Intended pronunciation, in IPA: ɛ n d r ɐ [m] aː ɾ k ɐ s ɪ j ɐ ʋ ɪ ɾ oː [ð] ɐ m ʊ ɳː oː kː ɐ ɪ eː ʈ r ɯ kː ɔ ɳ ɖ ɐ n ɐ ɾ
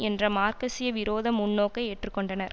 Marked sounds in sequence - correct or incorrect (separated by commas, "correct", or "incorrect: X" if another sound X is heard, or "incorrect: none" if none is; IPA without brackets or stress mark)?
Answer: correct, correct